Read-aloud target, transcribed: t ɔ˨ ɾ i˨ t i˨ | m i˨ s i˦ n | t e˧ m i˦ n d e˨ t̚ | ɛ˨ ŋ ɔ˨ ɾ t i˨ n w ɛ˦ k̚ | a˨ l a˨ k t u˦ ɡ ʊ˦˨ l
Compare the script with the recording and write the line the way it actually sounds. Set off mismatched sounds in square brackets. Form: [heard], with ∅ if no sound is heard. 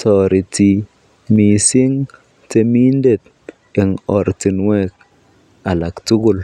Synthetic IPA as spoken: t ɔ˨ ɾ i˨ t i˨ | m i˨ s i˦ [ŋ] | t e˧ m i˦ n d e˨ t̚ | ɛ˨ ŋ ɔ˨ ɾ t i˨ n w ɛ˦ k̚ | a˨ l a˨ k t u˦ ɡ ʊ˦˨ l

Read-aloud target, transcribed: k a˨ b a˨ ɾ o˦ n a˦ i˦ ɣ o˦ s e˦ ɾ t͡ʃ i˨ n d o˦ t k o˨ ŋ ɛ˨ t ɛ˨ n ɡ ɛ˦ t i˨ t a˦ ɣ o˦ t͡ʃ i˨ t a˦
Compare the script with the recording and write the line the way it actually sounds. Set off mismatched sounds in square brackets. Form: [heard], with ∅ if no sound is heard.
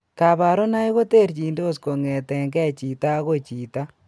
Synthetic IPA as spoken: k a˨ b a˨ ɾ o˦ n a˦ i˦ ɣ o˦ [t] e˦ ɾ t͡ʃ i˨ n d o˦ [s] k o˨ ŋ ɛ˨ t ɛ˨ [ŋ] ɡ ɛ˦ [t͡ʃ] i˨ t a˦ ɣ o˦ t͡ʃ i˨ t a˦

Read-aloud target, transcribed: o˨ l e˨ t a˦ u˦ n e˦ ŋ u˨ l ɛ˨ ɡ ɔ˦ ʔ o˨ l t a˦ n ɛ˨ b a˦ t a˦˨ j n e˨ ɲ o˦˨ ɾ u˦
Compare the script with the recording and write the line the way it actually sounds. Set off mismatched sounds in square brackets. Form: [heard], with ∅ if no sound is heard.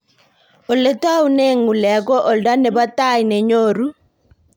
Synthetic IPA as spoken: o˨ l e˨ t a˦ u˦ n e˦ ŋ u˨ l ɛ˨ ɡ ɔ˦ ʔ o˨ l [d] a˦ n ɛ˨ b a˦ t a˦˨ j n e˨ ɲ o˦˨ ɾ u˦

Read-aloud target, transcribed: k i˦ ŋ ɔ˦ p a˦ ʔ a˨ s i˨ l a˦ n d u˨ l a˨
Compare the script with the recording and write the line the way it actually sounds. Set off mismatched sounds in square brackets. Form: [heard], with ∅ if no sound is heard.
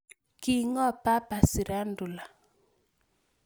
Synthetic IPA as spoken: k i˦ ŋ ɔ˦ p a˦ [p] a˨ s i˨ [ɾ] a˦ n d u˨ l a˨

